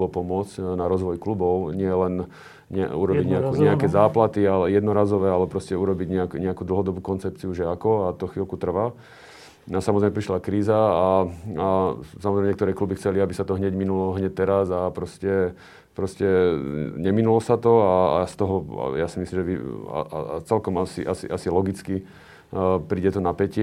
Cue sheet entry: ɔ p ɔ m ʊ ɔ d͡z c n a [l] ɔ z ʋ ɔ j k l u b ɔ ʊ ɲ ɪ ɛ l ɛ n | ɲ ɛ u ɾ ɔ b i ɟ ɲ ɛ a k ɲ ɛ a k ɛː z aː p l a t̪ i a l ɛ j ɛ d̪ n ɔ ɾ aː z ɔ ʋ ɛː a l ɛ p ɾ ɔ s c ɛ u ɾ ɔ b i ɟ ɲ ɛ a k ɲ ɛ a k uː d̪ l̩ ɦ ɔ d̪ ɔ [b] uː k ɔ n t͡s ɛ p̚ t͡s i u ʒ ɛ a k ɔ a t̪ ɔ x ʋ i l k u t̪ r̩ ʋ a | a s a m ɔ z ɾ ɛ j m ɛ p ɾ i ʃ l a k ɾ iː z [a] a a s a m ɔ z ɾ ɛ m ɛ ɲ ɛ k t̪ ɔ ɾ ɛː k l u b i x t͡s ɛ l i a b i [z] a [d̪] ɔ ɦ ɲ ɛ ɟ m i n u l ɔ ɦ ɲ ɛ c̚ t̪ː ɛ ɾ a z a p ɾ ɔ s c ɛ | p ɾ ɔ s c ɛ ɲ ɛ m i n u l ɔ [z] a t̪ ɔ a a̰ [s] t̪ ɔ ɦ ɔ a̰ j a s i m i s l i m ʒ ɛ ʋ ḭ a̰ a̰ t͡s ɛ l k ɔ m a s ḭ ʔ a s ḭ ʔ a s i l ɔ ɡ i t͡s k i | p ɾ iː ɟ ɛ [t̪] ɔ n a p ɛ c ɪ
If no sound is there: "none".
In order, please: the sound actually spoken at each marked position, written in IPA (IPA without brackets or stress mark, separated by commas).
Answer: ɾ, b, a, s, t̪, s, s, t̪